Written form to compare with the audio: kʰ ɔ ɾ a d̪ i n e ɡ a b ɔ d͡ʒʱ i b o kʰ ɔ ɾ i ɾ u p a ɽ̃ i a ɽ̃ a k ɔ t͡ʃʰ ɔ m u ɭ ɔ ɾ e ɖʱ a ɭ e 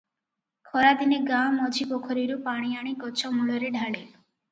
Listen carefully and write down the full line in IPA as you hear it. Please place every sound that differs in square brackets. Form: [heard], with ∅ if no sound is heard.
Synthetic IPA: kʰ ɔ ɾ a d̪ i n e ɡ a [m] ɔ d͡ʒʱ i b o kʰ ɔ ɾ i ɾ u p a ɽ̃ i a ɽ̃ [i] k ɔ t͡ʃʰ ɔ m u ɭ ɔ ɾ e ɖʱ a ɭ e

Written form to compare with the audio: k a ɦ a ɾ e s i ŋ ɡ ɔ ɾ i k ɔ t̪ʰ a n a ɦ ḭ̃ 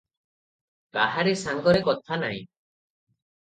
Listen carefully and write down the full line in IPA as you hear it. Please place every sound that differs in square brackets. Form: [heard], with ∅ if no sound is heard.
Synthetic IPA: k a ɦ a ɾ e s [a] ŋ ɡ ɔ ɾ [e] k ɔ t̪ʰ a n a ɦ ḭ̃

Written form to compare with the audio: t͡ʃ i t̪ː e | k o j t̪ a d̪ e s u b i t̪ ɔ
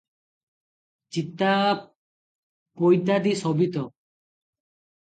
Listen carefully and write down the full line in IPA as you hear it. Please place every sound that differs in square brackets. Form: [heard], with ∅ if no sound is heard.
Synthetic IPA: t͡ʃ i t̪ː [a] | [p] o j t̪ a d̪ [i] s [ɔ] b i t̪ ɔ

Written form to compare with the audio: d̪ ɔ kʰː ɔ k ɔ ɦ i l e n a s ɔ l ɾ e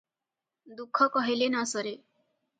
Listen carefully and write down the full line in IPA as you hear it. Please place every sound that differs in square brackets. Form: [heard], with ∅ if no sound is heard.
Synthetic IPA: d̪ [u] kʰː ɔ k ɔ ɦ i l e n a s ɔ [∅] ɾ e

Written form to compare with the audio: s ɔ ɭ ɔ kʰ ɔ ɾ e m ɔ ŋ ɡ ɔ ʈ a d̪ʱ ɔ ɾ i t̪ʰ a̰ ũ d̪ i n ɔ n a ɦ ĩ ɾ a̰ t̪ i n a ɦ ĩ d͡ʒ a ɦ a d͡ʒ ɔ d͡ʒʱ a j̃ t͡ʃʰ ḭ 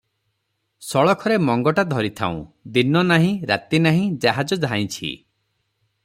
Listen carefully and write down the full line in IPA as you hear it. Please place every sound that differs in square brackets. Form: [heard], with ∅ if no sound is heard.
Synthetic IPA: s ɔ ɭ ɔ kʰ ɔ ɾ e m ɔ ŋ ɡ ɔ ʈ a d̪ʱ ɔ ɾ i t̪ʰ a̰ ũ d̪ i n ɔ n a ɦ ĩ ɾ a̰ t̪ i n a ɦ ĩ d͡ʒ a ɦ a d͡ʒ ɔ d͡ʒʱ a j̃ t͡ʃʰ ḭ

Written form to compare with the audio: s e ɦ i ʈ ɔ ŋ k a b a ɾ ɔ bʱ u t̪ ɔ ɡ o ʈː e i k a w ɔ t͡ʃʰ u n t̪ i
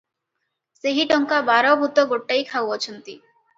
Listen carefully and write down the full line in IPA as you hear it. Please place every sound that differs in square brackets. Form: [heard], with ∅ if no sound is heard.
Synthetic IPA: s e ɦ i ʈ ɔ ŋ k a b a ɾ ɔ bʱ u t̪ ɔ ɡ o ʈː [a] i [kʰ] a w ɔ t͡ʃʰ [ɔ] n t̪ i

